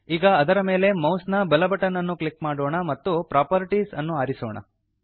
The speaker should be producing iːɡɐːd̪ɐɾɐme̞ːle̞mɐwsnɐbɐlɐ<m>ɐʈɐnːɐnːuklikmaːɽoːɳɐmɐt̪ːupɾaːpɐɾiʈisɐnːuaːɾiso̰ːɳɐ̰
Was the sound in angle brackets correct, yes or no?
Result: no